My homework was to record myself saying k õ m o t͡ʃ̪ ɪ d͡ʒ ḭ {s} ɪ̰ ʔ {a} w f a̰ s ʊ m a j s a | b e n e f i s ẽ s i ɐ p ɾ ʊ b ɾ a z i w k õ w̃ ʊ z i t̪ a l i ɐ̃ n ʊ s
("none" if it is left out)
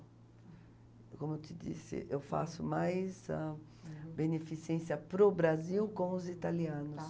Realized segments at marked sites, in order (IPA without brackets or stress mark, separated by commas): s, e